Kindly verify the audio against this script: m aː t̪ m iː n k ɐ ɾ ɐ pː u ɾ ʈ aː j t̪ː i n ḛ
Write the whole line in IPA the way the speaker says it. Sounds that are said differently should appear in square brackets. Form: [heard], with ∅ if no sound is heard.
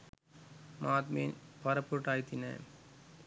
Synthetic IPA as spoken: m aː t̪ m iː n [p] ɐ ɾ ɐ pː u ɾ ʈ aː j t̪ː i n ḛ